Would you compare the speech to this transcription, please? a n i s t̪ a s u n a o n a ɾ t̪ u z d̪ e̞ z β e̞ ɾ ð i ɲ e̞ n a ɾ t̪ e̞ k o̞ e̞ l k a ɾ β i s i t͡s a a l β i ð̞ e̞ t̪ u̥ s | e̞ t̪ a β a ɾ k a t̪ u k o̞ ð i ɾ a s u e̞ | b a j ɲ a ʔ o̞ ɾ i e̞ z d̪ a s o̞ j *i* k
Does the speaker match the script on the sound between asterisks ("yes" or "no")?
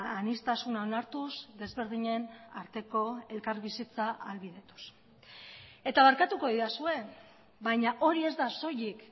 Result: yes